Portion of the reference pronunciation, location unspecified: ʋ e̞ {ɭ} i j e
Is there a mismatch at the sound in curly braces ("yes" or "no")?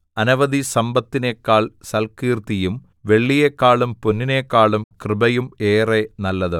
yes